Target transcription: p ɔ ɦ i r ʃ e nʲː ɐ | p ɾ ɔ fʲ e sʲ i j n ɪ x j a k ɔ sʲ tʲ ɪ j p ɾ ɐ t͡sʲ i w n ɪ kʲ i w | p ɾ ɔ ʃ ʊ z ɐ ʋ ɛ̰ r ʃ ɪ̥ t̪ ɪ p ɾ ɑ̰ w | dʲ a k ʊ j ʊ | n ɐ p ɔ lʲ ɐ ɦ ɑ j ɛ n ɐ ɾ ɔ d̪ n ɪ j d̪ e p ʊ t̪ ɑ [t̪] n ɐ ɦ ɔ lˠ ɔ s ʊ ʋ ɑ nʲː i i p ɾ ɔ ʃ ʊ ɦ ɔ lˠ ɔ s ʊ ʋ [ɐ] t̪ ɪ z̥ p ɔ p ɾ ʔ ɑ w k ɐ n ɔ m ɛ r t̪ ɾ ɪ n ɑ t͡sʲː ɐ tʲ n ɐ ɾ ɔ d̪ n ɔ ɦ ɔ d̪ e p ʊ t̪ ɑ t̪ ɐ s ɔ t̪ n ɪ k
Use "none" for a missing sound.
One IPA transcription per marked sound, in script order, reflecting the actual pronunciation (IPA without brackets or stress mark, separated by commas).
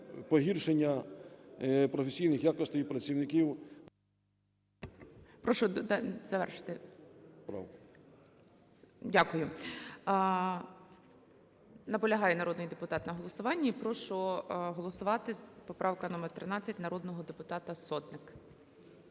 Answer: t̪, ɑ